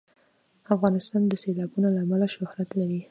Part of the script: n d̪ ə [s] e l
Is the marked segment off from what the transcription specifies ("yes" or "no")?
no